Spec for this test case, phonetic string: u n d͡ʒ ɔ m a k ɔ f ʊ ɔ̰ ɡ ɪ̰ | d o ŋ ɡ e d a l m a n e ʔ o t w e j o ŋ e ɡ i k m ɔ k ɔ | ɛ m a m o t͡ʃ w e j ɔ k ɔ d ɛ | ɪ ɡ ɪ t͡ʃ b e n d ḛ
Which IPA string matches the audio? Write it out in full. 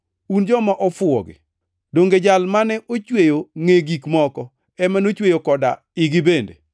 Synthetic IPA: u n d͡ʒ ɔ m a ʔ ɔ f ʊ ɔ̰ ɡ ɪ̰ | d o ŋ ɡ e d͡ʒ a l m a n ɛ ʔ o t͡ʃ w e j o ŋ e ɡ i k m ɔ k ɔ | ɛ m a n o t͡ʃ w e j o k ɔ d a | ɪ ɡ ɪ b e n d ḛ